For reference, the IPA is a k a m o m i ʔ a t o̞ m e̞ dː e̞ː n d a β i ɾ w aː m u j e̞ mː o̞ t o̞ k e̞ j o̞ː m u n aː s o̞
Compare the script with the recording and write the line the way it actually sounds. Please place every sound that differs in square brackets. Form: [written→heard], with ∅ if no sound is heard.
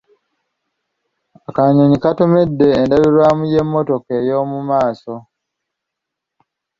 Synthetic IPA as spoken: a k a [m→ɲ] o [m→ɲ] i [ʔ→k] a t o̞ m e̞ dː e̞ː n d a β i ɾ w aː m u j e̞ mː o̞ t o̞ k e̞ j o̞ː m u [n→m] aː s o̞